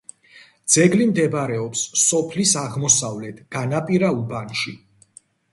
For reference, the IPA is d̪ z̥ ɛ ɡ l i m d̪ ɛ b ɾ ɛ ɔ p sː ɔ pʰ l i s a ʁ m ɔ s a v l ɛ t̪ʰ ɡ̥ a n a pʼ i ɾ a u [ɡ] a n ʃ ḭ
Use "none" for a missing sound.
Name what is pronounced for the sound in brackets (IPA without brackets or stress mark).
b